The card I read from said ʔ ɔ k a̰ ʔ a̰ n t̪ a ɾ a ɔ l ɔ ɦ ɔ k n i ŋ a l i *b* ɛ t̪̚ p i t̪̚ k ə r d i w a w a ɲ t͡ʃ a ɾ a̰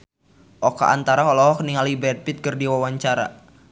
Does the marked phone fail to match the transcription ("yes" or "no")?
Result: no